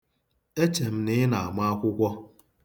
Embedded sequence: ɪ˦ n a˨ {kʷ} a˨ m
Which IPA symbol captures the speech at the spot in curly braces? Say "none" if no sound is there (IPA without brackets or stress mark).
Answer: none